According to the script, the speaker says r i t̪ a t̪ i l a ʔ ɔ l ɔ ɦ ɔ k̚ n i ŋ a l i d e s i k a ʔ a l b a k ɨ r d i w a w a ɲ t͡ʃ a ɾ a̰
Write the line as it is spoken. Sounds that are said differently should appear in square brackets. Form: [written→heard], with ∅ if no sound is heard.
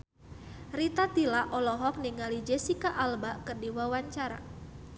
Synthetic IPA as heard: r i t̪ a t̪ i l a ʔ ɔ l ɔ ɦ ɔ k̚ n i ŋ a l i [d→d͡ʒ] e s i k a ʔ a l b a k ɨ r d i w a w a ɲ t͡ʃ a ɾ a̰